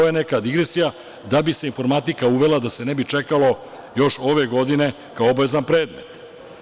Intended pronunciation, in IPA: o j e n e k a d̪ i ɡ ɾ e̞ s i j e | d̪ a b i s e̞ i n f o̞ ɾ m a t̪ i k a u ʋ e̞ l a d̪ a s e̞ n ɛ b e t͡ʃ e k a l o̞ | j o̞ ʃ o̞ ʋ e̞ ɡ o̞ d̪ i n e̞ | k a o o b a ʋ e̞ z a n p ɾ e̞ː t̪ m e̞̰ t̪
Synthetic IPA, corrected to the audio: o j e n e k a d̪ i ɡ ɾ e̞ s i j a | d̪ a b i s e̞ i n f o̞ ɾ m a t̪ i k a u ʋ e̞ l a d̪ a s e̞ n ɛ b i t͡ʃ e k a l o̞ | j o̞ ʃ o̞ ʋ e̞ ɡ o̞ d̪ i n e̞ | k a o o b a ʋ e̞ z a n p ɾ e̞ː d̪ m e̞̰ t̪